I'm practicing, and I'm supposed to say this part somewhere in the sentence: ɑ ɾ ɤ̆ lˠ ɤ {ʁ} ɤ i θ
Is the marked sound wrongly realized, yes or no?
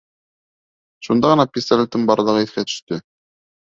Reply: no